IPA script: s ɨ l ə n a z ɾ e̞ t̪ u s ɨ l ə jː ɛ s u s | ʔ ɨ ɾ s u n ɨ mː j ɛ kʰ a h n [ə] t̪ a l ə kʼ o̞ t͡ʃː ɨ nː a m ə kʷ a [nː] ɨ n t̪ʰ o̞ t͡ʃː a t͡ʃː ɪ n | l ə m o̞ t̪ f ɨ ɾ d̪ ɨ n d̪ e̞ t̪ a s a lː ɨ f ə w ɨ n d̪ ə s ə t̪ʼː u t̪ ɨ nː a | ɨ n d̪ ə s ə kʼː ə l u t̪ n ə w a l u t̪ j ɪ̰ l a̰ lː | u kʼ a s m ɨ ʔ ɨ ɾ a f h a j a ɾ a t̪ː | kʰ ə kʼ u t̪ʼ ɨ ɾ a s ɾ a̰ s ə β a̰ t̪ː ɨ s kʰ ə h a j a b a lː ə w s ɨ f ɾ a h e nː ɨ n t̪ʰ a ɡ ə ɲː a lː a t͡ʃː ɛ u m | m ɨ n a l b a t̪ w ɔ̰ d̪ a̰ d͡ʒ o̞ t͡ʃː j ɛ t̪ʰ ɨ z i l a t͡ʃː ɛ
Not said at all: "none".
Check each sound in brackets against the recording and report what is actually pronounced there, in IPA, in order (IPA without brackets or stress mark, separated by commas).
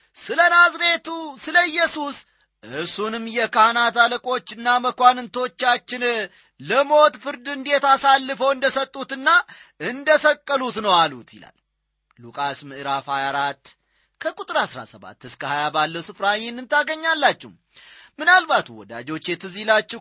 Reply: a, n